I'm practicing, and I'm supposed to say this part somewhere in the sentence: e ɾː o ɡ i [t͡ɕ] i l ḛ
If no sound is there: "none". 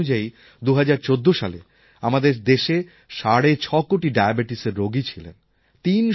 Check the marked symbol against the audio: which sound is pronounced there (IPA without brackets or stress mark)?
t͡ɕʰ